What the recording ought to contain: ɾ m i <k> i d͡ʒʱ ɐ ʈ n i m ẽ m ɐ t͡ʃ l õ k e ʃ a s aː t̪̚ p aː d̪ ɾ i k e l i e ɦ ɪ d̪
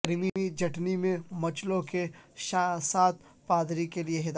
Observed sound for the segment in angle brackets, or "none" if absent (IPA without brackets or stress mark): none